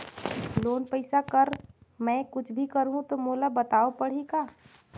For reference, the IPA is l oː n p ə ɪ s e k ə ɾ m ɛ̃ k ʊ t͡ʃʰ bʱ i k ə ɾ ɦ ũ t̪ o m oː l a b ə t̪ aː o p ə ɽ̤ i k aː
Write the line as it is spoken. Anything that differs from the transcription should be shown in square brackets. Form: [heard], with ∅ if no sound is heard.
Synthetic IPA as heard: l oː n p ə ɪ s [a] k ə ɾ m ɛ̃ k ʊ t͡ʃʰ bʱ i k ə ɾ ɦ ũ t̪ o m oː l a b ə t̪ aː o p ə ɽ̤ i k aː